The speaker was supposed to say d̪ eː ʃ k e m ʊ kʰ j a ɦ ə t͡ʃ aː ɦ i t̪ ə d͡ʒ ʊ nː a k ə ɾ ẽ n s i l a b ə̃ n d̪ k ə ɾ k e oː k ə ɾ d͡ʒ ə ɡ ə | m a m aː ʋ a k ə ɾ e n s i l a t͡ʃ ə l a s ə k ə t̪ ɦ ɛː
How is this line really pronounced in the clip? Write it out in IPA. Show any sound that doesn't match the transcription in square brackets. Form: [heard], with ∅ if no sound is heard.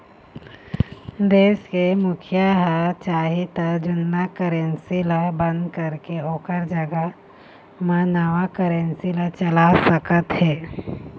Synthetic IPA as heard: d̪ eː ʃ k e m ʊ kʰ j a ɦ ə t͡ʃ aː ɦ i t̪ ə d͡ʒ ʊ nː a k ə ɾ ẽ n s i l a b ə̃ n d̪ k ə ɾ k e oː k ə ɾ d͡ʒ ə ɡ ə | m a [n] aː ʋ a k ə ɾ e n s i l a t͡ʃ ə l a s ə k ə t̪ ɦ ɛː

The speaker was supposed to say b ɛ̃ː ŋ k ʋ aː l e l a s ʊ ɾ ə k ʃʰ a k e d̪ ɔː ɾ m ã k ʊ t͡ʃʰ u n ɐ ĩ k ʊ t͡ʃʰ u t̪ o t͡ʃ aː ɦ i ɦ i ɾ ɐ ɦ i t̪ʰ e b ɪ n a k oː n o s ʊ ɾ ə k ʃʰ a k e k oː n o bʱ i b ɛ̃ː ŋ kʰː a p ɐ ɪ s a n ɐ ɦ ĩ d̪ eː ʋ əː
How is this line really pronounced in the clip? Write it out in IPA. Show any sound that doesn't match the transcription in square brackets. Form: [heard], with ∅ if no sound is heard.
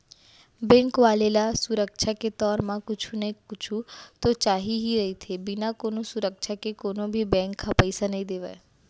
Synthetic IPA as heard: b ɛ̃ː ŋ k ʋ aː l e l a s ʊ ɾ ə k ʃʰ a k e [t̪] ɔː ɾ m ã k ʊ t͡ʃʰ u n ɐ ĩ k ʊ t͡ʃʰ u t̪ o t͡ʃ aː ɦ i ɦ i ɾ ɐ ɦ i t̪ʰ e b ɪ n a k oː n o s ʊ ɾ ə k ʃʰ a k e k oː n o bʱ i b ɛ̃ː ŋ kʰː a p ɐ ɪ s a n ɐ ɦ ĩ d̪ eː ʋ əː

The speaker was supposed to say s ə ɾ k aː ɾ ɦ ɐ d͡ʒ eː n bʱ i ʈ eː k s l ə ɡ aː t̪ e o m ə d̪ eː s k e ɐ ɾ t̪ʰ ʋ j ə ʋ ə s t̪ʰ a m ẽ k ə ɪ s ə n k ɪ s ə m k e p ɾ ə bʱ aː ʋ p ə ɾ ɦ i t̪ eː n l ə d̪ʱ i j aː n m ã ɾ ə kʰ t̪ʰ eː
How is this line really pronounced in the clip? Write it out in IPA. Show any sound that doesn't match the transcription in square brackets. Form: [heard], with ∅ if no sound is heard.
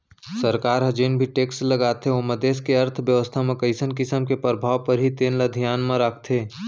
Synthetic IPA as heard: s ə ɾ k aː ɾ ɦ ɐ d͡ʒ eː n bʱ i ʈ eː k s l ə ɡ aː t̪ e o m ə d̪ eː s k e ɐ ɾ t̪ʰ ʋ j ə ʋ ə s t̪ʰ a m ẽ k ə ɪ s ə n k ɪ s ə m k e p ɾ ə bʱ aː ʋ p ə ɾ ɦ i t̪ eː n l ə d̪ʱ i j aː n m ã ɾ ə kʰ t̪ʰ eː

